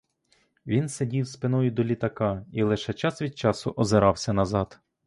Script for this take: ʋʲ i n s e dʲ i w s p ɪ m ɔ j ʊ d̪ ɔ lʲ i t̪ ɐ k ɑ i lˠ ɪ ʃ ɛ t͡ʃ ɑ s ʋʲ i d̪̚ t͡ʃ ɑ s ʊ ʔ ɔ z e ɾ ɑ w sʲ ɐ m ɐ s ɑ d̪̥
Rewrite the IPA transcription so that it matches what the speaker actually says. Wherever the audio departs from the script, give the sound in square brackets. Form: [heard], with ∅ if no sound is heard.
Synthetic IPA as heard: ʋʲ i n s e dʲ i w s p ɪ [n] ɔ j ʊ d̪ ɔ lʲ i t̪ ɐ k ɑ i lˠ ɪ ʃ ɛ t͡ʃ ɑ s ʋʲ i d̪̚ t͡ʃ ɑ s ʊ ʔ ɔ z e ɾ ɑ w sʲ ɐ [n] ɐ [z] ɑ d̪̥